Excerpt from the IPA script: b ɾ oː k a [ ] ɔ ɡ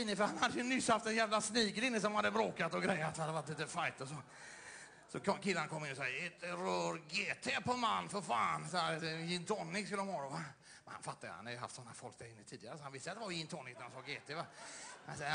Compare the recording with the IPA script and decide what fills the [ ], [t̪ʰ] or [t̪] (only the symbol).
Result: t̪